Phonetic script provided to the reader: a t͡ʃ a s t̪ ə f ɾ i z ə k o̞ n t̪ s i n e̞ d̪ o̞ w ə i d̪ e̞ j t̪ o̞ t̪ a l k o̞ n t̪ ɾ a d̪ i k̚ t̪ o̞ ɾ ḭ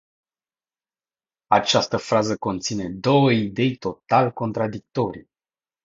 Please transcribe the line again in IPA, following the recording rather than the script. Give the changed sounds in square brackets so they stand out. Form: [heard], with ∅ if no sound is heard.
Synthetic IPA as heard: a t͡ʃ a s t̪ ə f ɾ [a] z ə k o̞ n t̪ s i n e̞ d̪ o̞ w ə i d̪ e̞ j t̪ o̞ t̪ a l k o̞ n t̪ ɾ a d̪ i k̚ t̪ o̞ ɾ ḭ